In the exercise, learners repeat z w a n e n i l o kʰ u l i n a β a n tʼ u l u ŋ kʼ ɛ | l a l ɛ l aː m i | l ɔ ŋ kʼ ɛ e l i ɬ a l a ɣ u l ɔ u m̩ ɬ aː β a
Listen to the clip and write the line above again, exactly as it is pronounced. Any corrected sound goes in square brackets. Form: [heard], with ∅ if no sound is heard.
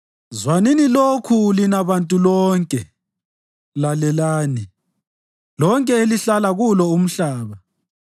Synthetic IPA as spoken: z w a n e n i l o kʰ u l i n a β a n tʼ u l [ɔ] ŋ kʼ ɛ | l a l ɛ l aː [n] i | l ɔ ŋ kʼ ɛ e l i ɬ a l a ɣ u l ɔ u m̩ ɬ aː β a